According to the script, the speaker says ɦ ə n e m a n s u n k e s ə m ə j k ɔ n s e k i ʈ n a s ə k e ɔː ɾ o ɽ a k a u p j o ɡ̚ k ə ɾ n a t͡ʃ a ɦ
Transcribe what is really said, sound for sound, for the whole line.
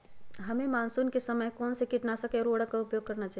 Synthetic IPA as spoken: ɦ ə m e m a n s u n k e s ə m ə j k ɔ n s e k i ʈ n a s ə k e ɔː ɾ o ɽ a k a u p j o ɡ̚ k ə ɾ n a t͡ʃ a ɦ